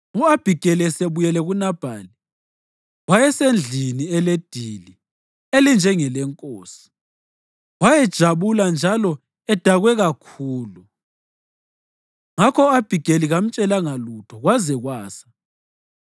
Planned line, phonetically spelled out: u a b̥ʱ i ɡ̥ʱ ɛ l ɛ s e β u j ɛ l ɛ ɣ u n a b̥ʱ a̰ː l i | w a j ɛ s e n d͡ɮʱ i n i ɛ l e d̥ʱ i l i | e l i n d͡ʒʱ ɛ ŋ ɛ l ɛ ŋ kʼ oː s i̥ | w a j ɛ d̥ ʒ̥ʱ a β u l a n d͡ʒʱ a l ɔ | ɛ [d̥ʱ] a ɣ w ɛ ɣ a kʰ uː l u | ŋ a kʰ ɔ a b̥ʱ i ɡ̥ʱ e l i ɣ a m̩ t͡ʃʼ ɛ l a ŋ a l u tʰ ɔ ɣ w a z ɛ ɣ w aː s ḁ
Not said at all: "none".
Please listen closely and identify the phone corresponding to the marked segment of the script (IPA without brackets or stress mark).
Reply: d̥ʱ